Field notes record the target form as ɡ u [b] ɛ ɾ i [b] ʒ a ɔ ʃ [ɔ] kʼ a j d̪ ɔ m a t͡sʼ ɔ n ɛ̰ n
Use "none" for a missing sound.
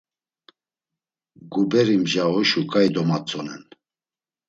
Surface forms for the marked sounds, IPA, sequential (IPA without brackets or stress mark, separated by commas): b, m, u